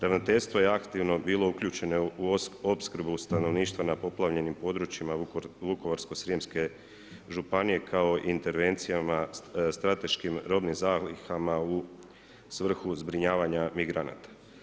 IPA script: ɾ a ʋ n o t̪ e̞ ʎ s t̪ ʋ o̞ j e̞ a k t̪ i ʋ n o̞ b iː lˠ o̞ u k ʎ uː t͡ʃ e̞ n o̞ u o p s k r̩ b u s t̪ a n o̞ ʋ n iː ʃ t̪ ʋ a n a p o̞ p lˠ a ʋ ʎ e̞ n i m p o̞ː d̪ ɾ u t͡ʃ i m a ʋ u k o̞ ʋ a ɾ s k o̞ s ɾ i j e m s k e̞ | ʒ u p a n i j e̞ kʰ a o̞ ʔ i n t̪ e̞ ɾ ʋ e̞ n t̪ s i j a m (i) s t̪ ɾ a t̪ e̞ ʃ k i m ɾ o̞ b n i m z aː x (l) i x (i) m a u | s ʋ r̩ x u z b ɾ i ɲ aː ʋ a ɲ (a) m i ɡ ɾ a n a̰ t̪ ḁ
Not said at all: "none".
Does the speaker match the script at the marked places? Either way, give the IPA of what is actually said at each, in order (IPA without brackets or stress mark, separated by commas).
a, l, a, a